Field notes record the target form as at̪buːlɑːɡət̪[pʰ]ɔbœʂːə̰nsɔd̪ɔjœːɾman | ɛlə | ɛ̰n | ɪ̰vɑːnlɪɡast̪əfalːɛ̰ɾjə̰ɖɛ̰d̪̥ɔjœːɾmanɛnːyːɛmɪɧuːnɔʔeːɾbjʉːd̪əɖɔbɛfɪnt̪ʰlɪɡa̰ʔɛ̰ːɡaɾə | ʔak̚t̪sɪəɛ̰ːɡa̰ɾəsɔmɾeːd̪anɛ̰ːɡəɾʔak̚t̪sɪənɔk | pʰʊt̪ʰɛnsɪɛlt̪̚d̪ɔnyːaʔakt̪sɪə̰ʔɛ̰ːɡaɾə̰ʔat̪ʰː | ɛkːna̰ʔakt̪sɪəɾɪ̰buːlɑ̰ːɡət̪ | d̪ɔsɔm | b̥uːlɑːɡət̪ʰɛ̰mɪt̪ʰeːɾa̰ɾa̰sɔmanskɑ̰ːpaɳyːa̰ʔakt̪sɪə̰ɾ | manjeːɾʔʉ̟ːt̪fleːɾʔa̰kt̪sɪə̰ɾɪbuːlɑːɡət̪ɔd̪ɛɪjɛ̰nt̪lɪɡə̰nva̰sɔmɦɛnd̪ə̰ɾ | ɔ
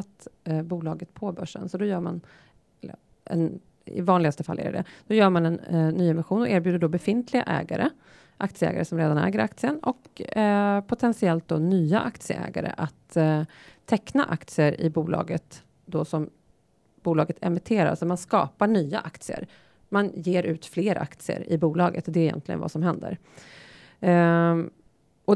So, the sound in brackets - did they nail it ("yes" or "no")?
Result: yes